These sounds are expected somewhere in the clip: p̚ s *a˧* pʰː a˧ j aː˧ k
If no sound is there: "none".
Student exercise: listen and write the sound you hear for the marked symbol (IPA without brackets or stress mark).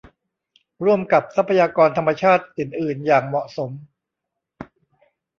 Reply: a˦˥